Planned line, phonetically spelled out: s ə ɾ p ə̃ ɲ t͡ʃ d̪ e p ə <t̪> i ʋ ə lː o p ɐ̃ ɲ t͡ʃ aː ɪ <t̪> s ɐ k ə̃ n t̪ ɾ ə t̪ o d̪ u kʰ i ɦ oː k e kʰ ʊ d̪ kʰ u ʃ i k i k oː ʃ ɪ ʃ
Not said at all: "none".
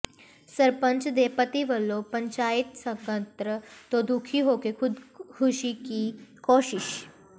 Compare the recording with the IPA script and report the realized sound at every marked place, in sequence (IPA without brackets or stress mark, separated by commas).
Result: t̪, t̪